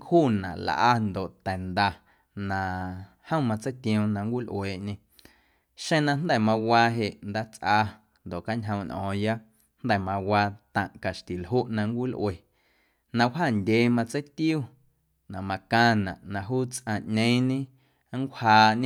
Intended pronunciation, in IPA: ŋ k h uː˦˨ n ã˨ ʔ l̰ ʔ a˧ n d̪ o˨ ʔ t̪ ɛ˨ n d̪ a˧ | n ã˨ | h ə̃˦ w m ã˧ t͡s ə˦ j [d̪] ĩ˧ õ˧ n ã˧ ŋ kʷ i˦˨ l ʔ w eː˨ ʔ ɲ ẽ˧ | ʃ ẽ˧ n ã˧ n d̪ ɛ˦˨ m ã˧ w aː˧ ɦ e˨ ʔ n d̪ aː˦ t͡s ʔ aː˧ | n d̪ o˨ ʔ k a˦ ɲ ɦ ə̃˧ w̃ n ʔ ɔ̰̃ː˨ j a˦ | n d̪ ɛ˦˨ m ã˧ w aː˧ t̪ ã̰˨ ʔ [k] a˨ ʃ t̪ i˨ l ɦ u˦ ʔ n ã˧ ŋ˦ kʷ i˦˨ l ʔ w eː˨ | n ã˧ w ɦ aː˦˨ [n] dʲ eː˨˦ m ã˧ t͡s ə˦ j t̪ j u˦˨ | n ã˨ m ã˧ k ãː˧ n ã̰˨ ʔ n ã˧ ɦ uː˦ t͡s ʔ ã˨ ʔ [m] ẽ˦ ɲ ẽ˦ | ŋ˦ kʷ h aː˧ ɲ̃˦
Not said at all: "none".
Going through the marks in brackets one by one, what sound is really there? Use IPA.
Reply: t̪, k, n, ɲ

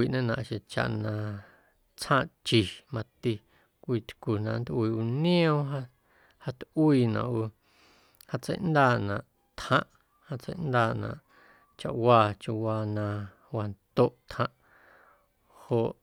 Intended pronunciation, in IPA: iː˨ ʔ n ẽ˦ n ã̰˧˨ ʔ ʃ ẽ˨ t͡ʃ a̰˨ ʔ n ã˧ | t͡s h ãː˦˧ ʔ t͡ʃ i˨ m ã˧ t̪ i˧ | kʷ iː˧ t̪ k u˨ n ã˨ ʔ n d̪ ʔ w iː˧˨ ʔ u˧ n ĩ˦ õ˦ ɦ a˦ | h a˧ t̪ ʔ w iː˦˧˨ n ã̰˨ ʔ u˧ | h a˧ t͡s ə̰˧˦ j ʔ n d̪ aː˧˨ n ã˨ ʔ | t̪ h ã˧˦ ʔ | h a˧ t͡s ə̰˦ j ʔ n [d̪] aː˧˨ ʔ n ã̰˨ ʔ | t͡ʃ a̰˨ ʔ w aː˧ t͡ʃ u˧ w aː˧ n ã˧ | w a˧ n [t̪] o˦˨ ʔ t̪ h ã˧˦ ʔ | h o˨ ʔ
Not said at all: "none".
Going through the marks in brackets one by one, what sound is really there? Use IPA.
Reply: d̪, t̪

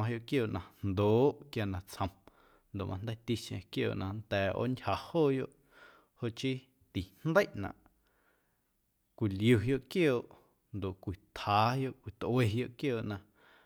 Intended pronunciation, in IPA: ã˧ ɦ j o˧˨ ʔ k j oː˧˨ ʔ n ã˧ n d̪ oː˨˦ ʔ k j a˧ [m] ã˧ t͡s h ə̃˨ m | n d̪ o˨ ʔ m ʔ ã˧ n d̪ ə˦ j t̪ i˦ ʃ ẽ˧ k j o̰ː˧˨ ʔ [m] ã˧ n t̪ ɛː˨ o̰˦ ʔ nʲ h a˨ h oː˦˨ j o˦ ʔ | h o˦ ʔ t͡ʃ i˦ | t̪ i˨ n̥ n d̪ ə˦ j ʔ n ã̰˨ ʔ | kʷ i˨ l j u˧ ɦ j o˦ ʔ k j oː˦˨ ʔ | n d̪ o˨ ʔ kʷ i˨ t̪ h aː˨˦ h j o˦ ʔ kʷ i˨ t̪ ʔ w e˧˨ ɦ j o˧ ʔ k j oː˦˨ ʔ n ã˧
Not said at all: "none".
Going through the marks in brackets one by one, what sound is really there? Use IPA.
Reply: n, n

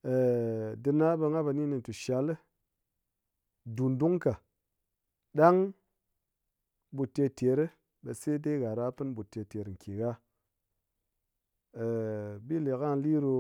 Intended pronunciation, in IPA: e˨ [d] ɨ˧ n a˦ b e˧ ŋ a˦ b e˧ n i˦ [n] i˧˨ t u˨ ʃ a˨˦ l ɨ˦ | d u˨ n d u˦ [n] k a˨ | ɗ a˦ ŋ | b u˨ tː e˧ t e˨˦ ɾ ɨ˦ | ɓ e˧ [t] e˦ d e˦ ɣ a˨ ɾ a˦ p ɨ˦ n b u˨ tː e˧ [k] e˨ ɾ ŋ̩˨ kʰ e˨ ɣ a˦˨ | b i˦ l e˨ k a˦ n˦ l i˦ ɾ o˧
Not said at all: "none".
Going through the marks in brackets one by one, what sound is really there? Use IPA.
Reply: d, n, ŋ, s, t

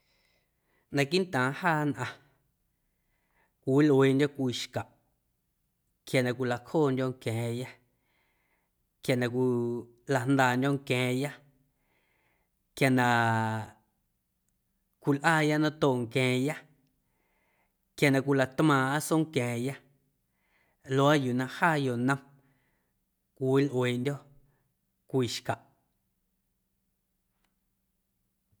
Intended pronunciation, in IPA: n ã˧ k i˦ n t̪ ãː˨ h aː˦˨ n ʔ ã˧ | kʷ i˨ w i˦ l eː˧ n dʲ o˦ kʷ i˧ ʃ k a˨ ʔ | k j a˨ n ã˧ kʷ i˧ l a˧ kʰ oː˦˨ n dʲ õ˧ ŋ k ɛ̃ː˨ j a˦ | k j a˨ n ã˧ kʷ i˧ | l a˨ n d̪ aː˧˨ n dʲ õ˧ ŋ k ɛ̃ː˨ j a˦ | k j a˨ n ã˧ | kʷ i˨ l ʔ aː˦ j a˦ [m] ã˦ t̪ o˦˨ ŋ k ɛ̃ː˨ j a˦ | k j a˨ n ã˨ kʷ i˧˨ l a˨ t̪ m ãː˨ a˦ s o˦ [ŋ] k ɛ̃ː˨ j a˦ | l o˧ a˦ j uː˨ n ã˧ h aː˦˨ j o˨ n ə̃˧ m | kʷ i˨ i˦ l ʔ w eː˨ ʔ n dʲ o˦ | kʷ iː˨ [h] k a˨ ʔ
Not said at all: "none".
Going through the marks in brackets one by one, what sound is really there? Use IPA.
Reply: n, ŋ, ʃ

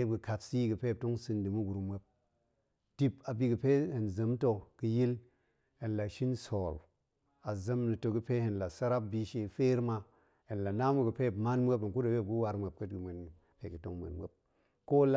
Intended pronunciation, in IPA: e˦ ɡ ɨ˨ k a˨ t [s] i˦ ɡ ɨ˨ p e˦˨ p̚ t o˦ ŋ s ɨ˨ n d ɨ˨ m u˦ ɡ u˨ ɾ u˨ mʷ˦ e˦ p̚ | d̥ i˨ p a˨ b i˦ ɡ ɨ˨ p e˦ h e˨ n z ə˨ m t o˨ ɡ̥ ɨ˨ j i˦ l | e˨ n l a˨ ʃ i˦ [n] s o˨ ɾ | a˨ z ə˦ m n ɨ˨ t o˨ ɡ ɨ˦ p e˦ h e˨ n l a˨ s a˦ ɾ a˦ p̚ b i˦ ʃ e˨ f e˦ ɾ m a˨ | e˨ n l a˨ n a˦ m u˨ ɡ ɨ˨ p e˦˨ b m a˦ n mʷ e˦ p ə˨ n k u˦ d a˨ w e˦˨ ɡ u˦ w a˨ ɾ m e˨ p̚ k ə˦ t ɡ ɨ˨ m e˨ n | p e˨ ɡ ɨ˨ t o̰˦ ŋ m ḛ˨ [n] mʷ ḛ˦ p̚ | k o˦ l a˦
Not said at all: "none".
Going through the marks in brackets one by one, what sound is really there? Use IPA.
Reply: s, n, n

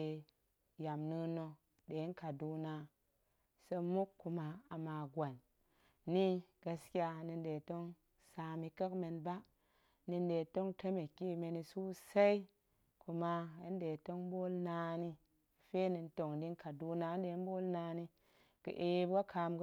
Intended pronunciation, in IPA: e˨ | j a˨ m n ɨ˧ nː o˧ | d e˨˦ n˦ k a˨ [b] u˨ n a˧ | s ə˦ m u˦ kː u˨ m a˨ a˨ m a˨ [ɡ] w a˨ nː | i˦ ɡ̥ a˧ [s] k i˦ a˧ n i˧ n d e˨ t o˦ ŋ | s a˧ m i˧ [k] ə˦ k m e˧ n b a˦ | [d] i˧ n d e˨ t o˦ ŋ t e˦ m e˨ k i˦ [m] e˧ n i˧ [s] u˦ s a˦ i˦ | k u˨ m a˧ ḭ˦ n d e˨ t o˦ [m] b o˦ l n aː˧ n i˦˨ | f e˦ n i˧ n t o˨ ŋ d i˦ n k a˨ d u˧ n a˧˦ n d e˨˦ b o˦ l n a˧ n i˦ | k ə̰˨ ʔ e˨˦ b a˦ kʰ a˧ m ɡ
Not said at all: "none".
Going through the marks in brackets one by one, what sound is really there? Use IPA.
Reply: d, ɡ, s, k, n, m, s, ŋ

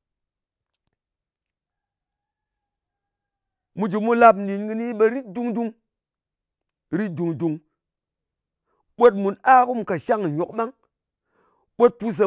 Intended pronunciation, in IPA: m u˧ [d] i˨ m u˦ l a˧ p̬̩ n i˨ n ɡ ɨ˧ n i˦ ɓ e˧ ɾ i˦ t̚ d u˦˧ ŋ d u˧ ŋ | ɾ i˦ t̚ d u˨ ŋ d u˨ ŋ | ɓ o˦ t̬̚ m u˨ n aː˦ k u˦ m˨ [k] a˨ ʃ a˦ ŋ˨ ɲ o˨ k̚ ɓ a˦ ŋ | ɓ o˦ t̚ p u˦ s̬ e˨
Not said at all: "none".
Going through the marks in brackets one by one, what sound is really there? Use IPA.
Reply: d͡ʒ, k

